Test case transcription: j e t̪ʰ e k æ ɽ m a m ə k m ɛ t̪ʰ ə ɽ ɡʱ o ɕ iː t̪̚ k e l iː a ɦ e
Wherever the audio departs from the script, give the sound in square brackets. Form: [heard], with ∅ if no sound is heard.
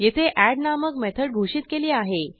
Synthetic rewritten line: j e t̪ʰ e [ʔ] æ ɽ [n] a m ə k m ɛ t̪ʰ ə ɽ ɡʱ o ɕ iː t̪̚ k e l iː a ɦ e